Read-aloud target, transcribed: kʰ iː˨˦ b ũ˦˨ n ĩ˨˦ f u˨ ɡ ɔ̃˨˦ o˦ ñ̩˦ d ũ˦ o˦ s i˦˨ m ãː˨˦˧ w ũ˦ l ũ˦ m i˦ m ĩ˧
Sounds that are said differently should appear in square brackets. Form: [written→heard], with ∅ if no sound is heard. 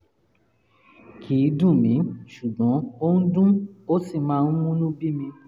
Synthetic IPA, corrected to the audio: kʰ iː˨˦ [b→d] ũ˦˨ [n→m] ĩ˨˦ [f→ʃ] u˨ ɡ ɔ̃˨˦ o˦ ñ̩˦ d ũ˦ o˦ s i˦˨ m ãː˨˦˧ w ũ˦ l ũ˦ [m→b] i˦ m ĩ˧